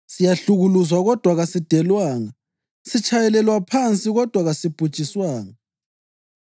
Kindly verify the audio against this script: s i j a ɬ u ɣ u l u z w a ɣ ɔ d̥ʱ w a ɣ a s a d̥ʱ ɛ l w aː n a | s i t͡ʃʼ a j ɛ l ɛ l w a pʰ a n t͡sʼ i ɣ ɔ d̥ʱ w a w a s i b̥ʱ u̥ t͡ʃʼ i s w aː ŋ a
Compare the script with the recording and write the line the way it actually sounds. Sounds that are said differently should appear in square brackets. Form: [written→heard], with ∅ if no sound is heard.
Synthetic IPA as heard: s i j a ɬ u ɣ u l u z w a ɣ ɔ d̥ʱ w a ɣ a s [a→i] d̥ʱ ɛ l w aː [n→ŋ] a | s i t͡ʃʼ a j ɛ l ɛ l w a pʰ a n t͡sʼ i ɣ ɔ d̥ʱ w a [w→ɣ] a s i b̥ʱ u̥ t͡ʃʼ i s w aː ŋ a